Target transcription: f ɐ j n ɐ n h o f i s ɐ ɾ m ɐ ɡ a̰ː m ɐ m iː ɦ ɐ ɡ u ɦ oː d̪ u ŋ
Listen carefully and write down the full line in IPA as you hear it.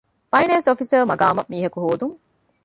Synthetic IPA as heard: f ɐ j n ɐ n s o f i s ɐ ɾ m ɐ ɡ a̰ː m ɐ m iː ɦ ɐ k u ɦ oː d̪ u ŋ